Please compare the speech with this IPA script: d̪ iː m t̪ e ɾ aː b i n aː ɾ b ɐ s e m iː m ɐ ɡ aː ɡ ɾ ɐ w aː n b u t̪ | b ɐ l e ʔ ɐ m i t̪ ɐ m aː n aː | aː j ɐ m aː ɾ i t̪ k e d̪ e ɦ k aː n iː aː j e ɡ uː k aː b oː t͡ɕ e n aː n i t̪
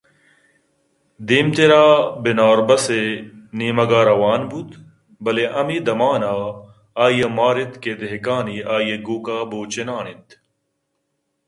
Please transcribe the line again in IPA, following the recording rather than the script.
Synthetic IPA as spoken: d̪ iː m t̪ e ɾ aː b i n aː ɾ b ɐ s e n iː m ɐ ɡ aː ɾ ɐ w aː n b u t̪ | b ɐ l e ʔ ɐ m i d̪ ɐ m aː n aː | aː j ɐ m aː ɾ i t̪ k e d̪ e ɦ k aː n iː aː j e ɡ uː k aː b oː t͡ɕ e n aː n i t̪